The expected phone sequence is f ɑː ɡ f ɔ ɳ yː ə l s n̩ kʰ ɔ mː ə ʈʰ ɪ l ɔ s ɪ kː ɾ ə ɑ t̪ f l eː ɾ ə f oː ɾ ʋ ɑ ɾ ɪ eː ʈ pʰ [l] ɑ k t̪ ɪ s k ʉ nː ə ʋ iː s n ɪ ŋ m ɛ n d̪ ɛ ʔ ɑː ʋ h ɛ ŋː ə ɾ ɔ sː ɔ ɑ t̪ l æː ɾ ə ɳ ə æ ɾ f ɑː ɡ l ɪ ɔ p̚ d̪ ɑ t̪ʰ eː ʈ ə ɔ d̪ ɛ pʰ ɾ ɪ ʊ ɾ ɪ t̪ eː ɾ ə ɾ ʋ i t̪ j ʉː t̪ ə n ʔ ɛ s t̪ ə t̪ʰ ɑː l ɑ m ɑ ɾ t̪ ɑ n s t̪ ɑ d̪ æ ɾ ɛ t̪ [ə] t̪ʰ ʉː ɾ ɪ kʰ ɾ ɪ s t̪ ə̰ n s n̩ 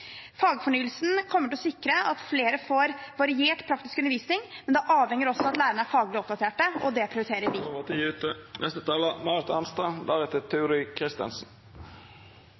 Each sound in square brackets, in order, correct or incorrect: incorrect, correct

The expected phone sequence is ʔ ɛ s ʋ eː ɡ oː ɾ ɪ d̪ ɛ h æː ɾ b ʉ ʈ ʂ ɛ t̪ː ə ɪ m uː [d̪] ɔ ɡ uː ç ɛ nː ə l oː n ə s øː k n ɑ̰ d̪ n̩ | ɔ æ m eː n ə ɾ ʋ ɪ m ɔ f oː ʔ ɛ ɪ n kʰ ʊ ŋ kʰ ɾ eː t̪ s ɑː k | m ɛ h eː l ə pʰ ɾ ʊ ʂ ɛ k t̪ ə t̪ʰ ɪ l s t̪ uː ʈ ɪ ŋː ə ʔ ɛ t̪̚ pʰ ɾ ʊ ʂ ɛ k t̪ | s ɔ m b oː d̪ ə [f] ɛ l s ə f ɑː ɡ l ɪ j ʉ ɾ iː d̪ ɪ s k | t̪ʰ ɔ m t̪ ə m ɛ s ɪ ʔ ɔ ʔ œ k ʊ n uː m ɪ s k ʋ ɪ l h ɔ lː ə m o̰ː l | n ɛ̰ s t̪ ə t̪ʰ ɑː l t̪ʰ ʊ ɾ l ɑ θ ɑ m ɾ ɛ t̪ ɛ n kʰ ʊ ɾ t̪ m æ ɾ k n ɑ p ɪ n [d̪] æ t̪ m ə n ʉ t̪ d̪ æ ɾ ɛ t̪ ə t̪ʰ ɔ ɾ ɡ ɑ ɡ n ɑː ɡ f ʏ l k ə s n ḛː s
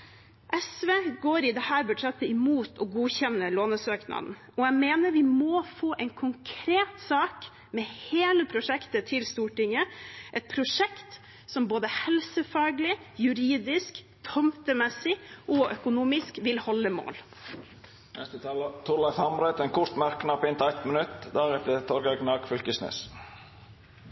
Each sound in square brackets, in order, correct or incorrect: incorrect, incorrect, incorrect

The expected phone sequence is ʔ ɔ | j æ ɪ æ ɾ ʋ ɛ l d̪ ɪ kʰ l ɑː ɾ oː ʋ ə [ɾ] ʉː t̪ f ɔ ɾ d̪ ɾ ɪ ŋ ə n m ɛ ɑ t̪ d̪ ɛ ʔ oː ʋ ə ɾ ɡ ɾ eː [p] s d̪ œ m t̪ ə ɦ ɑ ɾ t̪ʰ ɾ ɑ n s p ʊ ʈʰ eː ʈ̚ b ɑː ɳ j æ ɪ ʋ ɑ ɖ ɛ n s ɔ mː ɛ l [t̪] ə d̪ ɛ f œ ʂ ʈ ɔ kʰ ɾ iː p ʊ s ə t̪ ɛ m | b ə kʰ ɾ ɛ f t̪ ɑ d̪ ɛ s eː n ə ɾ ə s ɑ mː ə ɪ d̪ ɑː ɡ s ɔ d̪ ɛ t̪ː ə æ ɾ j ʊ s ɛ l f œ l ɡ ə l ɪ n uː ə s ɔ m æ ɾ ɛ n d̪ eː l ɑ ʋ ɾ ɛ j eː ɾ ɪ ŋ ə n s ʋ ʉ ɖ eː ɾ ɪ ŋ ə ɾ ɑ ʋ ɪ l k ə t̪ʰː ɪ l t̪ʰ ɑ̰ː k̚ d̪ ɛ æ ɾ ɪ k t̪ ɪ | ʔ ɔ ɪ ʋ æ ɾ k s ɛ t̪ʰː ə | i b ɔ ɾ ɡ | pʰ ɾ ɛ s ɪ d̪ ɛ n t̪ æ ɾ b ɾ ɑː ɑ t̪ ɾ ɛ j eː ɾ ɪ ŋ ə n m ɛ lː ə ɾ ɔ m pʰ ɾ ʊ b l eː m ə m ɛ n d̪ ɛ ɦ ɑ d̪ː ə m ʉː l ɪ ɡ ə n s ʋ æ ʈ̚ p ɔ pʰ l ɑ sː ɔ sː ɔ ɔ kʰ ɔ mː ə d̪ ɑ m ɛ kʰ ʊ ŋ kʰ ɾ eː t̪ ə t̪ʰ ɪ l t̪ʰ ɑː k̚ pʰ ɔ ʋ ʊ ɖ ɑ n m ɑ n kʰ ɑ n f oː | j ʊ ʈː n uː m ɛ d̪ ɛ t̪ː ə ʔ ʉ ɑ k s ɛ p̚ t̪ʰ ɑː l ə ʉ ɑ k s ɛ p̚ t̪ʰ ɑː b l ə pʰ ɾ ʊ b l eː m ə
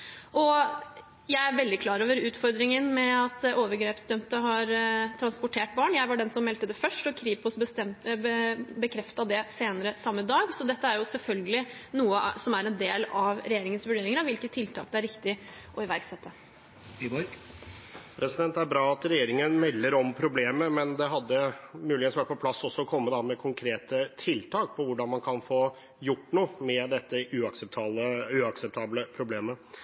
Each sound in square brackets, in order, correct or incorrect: correct, correct, correct

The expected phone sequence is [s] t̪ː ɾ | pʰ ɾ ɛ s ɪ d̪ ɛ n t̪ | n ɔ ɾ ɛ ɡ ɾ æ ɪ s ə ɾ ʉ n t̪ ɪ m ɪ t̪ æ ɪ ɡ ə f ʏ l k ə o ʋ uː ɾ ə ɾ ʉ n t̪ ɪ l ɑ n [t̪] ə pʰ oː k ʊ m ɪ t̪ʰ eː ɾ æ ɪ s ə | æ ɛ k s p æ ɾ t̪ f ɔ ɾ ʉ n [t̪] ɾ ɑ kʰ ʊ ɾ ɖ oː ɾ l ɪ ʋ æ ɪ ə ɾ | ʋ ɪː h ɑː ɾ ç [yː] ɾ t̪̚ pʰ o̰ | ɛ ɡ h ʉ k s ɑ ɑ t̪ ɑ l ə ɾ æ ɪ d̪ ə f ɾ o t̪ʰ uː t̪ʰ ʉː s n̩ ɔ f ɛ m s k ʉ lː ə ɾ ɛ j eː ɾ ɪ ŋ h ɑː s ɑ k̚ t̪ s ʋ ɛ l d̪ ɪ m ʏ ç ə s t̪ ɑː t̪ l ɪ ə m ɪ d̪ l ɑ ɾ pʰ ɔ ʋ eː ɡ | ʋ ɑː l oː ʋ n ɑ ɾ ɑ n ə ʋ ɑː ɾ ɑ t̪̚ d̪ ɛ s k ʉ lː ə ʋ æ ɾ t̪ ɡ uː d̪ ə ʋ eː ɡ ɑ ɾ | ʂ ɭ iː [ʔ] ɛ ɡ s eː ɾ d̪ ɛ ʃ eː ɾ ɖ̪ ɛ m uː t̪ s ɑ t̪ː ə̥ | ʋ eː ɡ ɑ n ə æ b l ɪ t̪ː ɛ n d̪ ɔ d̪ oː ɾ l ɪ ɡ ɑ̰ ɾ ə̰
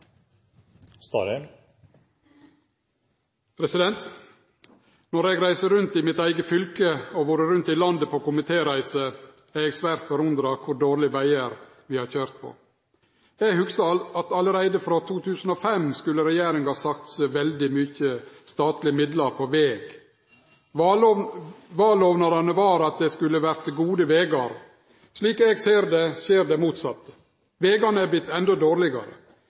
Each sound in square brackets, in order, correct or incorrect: correct, incorrect, incorrect, incorrect, incorrect

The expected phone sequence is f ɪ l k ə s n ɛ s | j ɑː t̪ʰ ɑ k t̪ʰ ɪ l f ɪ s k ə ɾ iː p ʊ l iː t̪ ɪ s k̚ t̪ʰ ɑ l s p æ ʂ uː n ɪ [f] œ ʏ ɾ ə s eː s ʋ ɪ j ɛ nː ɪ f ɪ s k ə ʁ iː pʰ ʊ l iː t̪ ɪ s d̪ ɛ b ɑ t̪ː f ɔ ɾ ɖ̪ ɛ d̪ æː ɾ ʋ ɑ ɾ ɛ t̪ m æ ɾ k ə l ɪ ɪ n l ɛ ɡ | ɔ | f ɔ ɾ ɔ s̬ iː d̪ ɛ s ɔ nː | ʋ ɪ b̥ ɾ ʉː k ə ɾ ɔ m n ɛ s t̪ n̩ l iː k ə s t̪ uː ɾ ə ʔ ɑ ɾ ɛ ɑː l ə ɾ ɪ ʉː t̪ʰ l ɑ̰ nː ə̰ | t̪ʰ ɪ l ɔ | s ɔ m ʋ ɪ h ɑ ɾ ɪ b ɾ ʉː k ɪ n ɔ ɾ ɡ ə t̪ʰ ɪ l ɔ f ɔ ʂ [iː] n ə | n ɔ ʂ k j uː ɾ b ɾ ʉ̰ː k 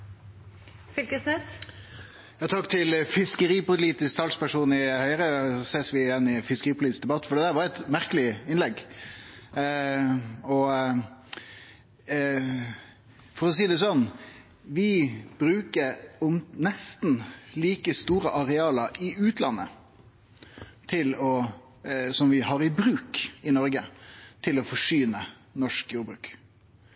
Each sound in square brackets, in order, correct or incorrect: incorrect, incorrect

